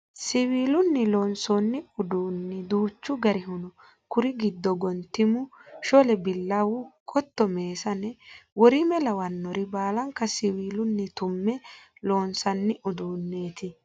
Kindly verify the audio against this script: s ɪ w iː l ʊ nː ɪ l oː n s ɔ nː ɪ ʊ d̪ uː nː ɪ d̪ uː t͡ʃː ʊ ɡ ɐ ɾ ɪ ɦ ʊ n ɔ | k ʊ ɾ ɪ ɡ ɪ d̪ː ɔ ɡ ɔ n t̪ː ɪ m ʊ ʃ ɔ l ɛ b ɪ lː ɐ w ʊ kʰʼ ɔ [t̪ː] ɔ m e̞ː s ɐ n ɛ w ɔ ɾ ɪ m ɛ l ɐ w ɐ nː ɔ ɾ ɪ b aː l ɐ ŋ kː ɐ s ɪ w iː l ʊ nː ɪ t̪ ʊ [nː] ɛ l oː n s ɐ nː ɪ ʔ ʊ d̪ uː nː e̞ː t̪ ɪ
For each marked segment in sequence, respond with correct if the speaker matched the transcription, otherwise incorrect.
correct, incorrect: mː

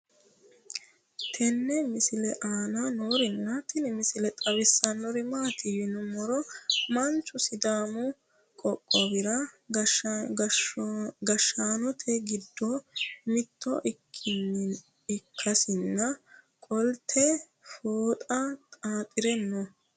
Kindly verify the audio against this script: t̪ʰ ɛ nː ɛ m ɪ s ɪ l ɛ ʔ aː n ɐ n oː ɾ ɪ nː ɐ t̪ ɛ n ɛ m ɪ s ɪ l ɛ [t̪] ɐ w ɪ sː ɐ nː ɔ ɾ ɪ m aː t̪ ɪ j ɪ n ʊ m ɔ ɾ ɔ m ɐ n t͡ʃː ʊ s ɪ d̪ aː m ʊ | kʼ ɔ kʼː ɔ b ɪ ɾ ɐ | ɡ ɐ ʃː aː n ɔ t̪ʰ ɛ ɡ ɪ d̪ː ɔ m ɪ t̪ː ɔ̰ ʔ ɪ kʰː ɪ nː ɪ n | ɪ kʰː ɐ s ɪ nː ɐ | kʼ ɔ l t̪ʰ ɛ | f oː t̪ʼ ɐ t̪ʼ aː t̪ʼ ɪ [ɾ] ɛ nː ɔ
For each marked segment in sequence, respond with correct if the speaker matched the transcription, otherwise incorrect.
incorrect: t̪ʼ, correct

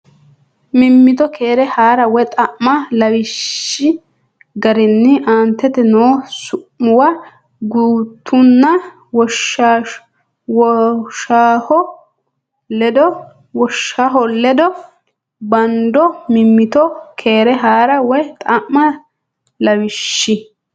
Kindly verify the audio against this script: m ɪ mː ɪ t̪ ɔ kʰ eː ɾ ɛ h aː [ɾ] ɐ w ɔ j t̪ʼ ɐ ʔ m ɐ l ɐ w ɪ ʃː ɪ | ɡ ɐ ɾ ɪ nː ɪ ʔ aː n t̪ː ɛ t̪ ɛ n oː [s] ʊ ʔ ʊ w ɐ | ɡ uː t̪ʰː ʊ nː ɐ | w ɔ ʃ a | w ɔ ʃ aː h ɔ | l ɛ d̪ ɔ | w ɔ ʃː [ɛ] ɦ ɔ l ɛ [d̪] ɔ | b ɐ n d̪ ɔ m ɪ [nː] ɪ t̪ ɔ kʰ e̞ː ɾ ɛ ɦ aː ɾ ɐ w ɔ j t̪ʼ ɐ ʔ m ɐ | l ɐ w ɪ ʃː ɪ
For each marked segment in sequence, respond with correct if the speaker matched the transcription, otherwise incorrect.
correct, correct, incorrect: a, correct, incorrect: mː

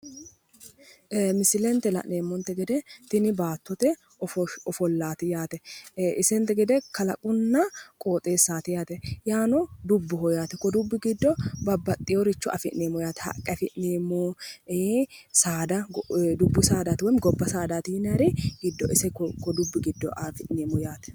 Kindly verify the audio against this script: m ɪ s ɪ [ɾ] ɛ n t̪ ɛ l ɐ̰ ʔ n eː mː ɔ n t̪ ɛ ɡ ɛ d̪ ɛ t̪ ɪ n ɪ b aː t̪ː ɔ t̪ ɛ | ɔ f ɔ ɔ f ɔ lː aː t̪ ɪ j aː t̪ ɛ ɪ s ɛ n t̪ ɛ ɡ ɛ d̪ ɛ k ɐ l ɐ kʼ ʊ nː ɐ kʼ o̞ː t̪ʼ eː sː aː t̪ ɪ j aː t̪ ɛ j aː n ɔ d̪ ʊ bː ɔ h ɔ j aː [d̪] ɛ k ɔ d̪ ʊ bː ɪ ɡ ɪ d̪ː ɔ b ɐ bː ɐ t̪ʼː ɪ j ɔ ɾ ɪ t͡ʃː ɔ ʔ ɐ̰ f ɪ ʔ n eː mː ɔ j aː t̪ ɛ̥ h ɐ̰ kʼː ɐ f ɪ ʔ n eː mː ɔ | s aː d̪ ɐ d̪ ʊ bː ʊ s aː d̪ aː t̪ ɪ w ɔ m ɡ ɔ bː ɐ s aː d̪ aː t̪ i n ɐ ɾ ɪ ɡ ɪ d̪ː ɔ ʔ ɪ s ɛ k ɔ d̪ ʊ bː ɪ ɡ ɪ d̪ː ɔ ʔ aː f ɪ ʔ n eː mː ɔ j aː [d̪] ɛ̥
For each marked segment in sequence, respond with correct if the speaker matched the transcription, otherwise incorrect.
incorrect: l, incorrect: t̪, incorrect: t̪

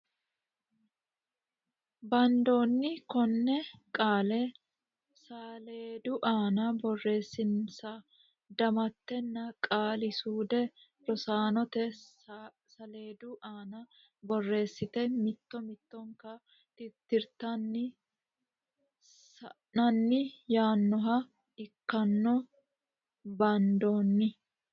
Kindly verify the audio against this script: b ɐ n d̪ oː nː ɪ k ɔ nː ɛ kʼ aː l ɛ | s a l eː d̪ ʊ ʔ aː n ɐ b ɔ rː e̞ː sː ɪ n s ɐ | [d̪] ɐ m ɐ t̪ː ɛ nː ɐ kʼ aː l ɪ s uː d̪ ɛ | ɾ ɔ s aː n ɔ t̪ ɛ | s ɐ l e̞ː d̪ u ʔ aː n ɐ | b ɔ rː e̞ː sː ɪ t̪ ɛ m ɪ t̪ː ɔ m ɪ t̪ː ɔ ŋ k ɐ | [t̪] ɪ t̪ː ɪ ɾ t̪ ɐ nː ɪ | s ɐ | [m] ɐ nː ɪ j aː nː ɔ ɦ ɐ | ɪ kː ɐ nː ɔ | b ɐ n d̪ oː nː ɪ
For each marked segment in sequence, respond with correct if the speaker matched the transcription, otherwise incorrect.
correct, correct, incorrect: n

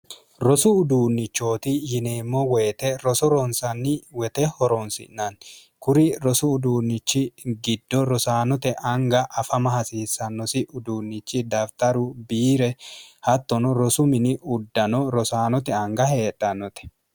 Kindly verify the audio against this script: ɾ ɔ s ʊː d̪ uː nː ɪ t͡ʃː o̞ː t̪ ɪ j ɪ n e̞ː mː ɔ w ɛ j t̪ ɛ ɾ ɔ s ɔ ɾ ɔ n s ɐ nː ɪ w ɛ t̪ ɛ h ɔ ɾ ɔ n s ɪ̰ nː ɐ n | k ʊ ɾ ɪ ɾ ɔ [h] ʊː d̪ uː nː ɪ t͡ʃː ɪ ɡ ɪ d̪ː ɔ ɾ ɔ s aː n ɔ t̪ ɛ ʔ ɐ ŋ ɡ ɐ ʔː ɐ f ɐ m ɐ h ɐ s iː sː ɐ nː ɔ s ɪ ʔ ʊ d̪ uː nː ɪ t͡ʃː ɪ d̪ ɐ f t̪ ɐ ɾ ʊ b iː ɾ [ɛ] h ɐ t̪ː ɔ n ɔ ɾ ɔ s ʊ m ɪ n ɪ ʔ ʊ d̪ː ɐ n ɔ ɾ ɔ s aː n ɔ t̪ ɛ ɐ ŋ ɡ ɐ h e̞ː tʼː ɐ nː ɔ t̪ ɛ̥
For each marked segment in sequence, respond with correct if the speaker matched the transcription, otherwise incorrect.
incorrect: s, correct

